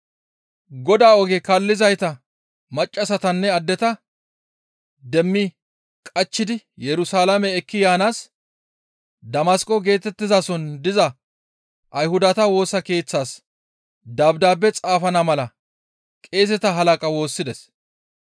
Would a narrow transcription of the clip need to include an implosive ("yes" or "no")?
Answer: no